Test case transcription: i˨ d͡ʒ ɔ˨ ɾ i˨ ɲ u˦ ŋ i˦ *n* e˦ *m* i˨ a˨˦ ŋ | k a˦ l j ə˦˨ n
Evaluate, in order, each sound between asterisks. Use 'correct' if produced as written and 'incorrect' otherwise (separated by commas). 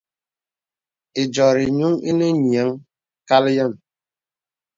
correct, incorrect